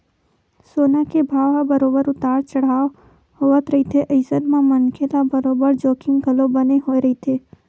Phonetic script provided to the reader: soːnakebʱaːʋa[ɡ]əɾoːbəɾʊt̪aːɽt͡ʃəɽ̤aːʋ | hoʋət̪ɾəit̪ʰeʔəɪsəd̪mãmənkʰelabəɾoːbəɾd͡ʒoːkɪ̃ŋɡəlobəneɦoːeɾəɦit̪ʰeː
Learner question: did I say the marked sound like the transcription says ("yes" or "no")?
no